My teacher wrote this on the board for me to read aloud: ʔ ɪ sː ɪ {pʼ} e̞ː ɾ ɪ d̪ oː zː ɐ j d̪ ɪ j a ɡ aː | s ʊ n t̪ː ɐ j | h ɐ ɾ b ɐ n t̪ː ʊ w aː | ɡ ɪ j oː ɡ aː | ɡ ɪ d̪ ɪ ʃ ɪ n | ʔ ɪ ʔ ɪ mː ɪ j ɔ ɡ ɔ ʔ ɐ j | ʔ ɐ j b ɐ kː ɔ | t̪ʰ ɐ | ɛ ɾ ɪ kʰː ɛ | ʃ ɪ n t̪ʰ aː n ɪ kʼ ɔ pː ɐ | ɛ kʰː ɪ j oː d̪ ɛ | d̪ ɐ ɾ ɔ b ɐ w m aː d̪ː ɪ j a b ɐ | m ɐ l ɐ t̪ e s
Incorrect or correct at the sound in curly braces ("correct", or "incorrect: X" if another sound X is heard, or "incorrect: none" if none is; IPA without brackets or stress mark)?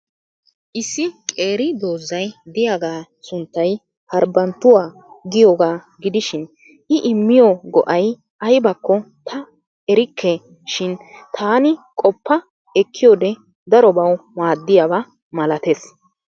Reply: incorrect: kʼ